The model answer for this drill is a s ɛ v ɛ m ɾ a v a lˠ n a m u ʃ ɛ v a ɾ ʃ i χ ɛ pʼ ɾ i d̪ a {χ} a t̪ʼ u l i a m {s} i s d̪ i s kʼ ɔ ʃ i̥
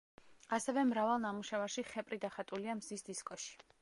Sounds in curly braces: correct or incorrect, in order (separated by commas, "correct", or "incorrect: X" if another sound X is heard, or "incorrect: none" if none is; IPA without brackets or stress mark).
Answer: correct, incorrect: z